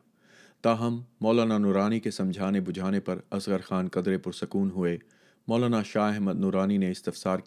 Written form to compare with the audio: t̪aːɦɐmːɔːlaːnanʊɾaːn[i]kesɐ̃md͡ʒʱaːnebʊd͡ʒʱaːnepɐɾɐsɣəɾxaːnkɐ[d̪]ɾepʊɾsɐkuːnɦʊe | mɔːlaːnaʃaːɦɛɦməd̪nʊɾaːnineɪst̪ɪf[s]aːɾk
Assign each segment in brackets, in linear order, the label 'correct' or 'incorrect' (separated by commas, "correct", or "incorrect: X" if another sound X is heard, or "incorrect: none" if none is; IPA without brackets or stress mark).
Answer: correct, correct, correct